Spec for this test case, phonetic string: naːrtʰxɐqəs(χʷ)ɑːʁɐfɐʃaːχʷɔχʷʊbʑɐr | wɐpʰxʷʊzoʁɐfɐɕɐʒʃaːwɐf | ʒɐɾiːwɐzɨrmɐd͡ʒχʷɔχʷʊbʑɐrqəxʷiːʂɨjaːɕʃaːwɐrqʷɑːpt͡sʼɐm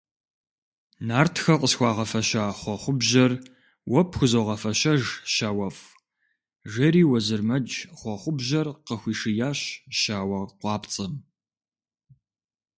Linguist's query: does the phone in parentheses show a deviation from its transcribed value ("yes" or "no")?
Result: yes